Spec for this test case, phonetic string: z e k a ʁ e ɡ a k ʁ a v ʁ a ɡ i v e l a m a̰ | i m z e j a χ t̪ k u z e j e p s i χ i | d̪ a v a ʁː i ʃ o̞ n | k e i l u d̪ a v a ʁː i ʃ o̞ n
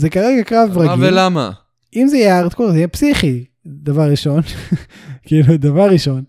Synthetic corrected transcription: z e k a ʁ e ɡ a k ʁ a v ʁ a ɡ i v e l a m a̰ | i m z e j a ʁ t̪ k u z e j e p s i χ i | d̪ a v a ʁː i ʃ o̞ n | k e i l u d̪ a v a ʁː i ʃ o̞ n